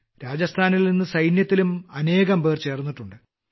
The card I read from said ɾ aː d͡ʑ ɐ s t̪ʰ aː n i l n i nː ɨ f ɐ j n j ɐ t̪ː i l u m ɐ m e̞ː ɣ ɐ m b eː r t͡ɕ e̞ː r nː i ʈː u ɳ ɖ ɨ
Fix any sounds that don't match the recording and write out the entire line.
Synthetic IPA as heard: ɾ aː d͡ʑ ɐ s t̪ʰ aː n i l n i nː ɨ s ɐ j n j ɐ t̪ː i l u m ɐ n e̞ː ɣ ɐ m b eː r t͡ɕ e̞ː r nː i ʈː u ɳ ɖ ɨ